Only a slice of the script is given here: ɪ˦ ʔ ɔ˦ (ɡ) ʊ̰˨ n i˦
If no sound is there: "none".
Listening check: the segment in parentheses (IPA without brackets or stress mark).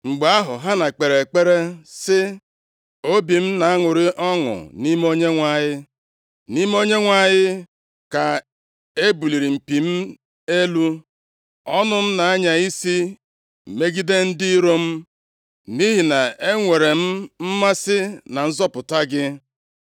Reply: ŋ